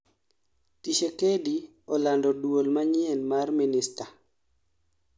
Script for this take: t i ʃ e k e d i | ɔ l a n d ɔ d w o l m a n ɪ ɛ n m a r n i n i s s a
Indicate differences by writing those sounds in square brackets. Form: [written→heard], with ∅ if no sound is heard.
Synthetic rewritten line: t i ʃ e k e d i | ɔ l a n d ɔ d w o l m a [n→ɲ] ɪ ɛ n m a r [n→m] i n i s [s→t] a

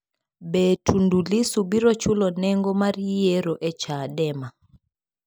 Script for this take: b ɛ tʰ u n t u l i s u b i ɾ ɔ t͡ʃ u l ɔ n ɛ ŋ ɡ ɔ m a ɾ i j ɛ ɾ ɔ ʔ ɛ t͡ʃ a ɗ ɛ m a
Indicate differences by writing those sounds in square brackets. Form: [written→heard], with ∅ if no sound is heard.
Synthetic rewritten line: b ɛ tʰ u n [t→d] u l i s u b i ɾ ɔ t͡ʃ u l ɔ n ɛ ŋ ɡ ɔ m a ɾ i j ɛ ɾ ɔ ʔ ɛ t͡ʃ a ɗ ɛ m a

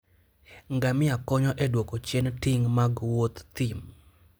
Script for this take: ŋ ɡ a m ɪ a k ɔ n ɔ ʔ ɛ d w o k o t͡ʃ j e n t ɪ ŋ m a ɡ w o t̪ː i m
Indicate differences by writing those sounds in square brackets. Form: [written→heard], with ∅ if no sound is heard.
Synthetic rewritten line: ŋ ɡ a m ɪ a k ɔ [n→ɲ] ɔ ʔ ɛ d w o k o t͡ʃ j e n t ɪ ŋ m a ɡ w o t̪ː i m

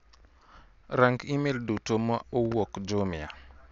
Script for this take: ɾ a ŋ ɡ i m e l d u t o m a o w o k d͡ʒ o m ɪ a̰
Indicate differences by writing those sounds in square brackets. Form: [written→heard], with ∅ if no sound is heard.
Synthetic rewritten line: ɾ a ŋ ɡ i m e l d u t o m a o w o k d͡ʒ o m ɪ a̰

